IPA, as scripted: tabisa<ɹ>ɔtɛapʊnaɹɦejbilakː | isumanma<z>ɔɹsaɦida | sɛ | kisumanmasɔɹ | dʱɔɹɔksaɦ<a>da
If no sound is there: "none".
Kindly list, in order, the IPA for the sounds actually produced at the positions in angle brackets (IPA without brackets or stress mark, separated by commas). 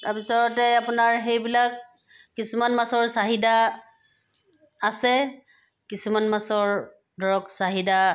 ɹ, s, i